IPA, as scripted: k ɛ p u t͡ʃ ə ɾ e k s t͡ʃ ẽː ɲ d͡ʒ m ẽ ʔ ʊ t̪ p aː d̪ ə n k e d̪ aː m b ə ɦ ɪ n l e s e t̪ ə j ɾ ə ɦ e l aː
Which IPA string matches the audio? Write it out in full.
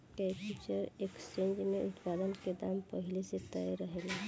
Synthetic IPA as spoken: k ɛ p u t͡ʃ ə ɾ e k s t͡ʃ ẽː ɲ d͡ʒ m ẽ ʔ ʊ t̪ p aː d̪ ə n k e d̪ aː m p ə ɦ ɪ l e s e t̪ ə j ɾ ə ɦ e l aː